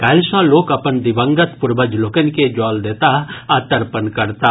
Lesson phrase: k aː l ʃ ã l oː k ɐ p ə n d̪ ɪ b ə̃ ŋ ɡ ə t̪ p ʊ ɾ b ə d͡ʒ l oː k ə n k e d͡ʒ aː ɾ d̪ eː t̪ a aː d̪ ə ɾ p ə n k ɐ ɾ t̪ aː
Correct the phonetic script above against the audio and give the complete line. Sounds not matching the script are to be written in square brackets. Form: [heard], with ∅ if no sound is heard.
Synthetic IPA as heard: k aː l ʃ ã l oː k ɐ p ə n d̪ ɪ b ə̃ ŋ ɡ ə t̪ p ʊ ɾ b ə d͡ʒ l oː k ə n k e d͡ʒ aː [l] d̪ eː t̪ a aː [t̪] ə ɾ p ə n k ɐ ɾ t̪ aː